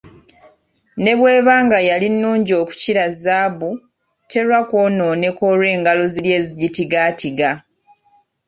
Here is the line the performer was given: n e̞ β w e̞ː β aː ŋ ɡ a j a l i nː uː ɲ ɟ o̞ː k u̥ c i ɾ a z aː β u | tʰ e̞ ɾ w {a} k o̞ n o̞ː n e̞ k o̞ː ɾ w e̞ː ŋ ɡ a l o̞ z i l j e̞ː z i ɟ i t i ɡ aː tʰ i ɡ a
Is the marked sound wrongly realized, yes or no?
no